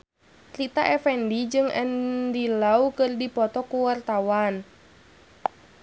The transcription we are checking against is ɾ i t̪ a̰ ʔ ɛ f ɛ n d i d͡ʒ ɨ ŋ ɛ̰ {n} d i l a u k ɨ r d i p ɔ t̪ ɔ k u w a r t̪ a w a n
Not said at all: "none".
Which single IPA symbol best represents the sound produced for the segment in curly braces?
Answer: n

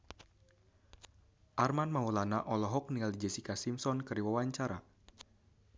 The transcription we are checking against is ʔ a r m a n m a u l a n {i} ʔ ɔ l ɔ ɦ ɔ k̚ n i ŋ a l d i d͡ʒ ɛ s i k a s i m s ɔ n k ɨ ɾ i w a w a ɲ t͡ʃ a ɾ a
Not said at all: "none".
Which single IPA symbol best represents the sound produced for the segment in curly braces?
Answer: a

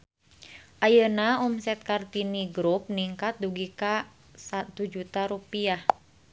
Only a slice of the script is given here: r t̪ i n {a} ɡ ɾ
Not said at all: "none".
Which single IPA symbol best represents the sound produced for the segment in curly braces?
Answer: i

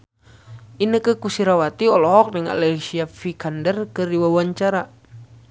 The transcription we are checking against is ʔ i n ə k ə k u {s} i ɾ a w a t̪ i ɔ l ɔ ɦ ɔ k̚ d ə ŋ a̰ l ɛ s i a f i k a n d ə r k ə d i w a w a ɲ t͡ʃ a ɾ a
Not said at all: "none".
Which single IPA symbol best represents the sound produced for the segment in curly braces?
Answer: s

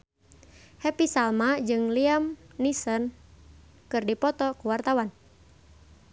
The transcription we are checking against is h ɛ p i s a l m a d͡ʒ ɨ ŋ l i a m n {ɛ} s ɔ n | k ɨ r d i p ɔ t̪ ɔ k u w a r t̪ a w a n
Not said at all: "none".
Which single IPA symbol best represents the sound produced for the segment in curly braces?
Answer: i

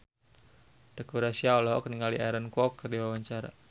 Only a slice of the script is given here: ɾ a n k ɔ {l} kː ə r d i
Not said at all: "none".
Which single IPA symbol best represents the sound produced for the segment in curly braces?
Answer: none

